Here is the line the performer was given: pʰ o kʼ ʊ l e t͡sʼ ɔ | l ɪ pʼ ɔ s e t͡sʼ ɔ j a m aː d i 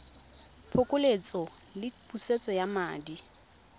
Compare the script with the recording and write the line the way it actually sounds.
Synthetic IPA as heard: pʰ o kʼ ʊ l e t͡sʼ ɔ | l ɪ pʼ u s e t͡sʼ ɔ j a m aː d i